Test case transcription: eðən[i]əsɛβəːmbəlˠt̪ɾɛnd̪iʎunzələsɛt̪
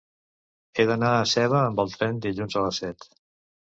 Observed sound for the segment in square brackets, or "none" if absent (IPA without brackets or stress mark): a